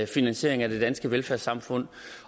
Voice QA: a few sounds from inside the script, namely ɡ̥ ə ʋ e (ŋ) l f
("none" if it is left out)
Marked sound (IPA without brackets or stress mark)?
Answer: none